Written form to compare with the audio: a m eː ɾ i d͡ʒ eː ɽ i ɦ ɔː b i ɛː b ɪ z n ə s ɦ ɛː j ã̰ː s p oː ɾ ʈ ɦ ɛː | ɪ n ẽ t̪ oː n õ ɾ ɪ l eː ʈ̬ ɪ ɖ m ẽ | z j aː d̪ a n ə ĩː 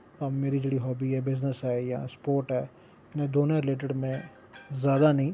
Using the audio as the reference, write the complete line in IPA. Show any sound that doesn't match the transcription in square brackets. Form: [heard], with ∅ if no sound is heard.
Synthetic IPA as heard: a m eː ɾ i d͡ʒ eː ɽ i ɦ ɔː b i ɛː b ɪ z n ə s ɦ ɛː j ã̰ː s p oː ɾ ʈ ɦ ɛː | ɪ n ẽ [d̪] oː n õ ɾ ɪ l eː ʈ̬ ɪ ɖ m ẽ | z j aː d̪ a n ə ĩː